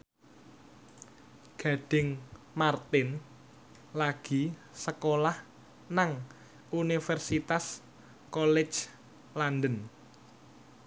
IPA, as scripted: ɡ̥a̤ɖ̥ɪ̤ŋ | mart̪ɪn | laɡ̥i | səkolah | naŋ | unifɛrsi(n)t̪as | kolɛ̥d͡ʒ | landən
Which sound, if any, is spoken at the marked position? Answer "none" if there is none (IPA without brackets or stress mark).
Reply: none